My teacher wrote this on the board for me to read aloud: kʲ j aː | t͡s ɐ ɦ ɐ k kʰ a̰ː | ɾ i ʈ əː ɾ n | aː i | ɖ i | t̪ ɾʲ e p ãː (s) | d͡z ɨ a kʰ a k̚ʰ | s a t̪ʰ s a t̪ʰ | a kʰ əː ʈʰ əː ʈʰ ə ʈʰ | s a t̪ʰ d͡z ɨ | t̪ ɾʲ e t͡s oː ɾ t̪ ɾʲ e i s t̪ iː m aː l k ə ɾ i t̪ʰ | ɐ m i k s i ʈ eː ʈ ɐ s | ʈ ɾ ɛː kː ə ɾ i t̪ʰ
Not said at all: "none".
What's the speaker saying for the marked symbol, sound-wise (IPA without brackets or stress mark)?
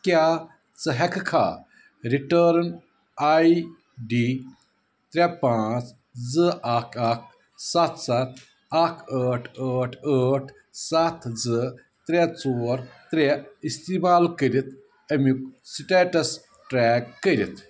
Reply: t͡s